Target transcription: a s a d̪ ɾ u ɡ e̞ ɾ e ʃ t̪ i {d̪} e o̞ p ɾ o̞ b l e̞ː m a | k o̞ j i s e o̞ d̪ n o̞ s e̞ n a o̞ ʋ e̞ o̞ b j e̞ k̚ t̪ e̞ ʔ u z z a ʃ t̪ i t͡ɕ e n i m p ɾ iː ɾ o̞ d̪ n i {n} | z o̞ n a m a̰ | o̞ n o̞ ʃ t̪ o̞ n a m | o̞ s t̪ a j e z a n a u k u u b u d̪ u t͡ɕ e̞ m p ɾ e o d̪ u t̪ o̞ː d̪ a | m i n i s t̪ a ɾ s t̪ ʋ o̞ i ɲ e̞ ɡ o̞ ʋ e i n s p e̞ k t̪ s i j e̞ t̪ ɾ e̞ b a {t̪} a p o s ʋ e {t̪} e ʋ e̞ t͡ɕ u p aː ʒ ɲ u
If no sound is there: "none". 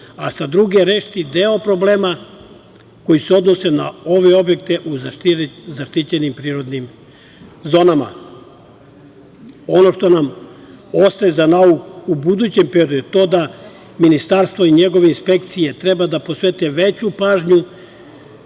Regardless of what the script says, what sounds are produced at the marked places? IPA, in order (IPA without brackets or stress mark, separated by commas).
d̪, m, d̪, t̪